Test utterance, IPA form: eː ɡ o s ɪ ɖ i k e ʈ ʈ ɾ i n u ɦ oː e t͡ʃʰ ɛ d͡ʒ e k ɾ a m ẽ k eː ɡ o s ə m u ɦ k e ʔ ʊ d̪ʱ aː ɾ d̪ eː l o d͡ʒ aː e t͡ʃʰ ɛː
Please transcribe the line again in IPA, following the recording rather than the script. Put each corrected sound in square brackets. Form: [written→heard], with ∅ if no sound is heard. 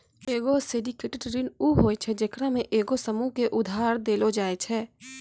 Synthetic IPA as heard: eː ɡ o s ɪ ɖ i k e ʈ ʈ ɾ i n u ɦ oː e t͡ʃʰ ɛ d͡ʒ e k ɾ a m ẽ [k→ʔ] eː ɡ o s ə m u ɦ k e ʔ ʊ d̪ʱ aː ɾ d̪ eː l o d͡ʒ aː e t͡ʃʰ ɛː